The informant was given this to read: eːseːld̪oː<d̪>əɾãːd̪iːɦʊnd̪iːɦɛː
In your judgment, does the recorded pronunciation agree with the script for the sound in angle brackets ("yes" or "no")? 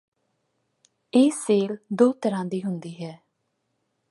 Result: no